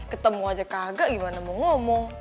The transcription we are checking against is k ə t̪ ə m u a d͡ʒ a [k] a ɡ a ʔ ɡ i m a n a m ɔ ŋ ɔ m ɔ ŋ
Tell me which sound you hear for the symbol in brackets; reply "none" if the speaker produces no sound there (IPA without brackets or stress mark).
k